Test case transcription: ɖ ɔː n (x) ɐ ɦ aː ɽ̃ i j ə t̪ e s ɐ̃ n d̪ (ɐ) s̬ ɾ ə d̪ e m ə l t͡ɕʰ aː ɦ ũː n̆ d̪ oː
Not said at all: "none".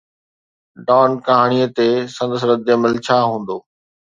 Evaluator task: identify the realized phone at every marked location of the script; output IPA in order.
k, ə

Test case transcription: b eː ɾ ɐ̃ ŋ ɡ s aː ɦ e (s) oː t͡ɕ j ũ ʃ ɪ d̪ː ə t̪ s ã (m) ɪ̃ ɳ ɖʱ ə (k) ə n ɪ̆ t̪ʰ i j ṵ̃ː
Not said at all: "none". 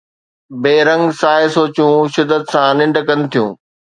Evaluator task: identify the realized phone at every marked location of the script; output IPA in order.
s, n, k

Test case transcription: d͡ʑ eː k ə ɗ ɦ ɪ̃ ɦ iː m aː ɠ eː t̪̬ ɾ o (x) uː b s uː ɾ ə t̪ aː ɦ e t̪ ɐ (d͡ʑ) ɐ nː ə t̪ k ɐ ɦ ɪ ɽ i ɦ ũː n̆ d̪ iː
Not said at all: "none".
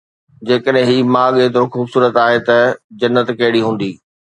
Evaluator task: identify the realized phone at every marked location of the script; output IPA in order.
x, d͡ʑ

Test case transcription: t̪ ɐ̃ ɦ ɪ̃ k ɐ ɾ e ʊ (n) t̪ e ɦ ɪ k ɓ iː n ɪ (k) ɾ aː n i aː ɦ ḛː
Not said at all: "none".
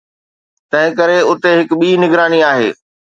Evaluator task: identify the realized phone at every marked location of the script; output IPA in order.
none, ɡ

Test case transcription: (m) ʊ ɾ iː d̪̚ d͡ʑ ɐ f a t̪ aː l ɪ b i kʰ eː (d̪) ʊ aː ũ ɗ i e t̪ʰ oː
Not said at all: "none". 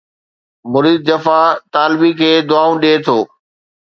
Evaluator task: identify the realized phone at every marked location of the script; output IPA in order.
m, d̪

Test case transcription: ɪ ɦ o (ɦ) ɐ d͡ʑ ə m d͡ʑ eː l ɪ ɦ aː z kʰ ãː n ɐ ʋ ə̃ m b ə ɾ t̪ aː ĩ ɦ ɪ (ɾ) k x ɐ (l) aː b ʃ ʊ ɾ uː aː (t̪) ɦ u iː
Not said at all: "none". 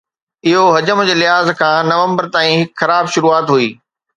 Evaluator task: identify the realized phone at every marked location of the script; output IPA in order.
ɦ, none, ɾ, t̪

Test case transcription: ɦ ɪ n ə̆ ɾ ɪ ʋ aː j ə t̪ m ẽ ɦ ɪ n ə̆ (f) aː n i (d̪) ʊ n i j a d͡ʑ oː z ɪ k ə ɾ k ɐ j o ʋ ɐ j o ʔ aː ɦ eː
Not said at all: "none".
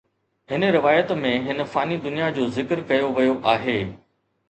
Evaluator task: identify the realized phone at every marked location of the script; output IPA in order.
f, d̪

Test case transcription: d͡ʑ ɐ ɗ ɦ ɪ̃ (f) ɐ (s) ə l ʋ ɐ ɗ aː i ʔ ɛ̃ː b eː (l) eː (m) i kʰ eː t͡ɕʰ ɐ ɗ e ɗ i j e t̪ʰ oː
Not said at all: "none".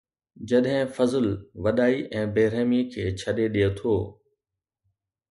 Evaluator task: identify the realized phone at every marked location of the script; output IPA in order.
f, z, ɾ, m

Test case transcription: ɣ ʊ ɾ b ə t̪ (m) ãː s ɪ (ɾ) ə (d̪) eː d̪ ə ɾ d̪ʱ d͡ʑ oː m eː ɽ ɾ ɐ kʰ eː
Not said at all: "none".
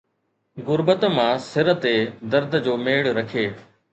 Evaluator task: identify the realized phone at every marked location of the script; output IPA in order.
m, ɾ, t̪

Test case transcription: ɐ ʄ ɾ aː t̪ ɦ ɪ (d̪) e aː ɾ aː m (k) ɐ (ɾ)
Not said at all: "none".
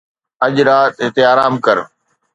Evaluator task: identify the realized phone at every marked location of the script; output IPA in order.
t̪, k, ɾ

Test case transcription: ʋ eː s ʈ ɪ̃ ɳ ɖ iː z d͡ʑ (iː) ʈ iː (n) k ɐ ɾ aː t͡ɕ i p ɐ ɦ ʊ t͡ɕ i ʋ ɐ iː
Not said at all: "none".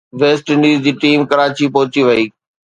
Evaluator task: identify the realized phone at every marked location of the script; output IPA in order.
iː, m

